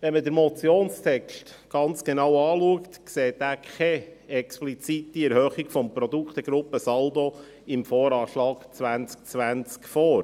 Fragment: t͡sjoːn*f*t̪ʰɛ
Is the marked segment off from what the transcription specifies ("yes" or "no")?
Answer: yes